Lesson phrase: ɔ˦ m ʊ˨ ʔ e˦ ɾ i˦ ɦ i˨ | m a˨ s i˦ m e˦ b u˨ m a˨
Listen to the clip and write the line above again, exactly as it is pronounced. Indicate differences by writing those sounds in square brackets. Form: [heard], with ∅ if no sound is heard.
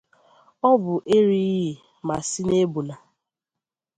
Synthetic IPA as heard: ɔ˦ [b] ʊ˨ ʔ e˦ ɾ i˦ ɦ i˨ | m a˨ s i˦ [n] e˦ b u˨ [n] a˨